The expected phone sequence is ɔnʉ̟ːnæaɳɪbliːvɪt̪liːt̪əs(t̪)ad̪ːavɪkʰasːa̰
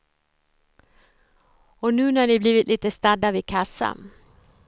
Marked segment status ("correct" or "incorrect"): correct